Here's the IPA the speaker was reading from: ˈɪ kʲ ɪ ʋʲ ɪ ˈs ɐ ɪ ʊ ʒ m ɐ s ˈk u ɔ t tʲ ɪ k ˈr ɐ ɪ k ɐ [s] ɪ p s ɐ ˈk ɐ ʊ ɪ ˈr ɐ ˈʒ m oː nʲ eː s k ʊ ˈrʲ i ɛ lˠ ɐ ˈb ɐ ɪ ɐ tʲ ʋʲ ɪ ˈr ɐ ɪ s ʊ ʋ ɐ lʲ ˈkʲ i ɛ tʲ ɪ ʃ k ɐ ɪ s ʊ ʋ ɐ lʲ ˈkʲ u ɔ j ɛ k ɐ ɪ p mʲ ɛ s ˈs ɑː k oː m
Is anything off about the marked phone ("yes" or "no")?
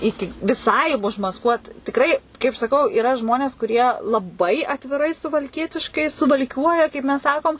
yes